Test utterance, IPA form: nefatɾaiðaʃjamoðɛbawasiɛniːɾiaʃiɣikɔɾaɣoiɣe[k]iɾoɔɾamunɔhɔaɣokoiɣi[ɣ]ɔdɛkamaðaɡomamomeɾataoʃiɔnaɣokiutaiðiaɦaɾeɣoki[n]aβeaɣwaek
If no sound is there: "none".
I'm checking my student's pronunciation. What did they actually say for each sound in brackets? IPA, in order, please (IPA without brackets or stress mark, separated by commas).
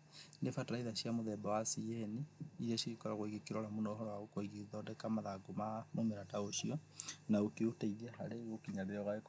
k, ð, ɲ